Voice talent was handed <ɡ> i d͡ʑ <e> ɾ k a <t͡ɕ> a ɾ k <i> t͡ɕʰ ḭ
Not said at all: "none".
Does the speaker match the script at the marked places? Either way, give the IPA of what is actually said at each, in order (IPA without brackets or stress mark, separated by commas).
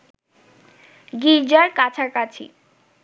ɡ, a, t͡ɕʰ, a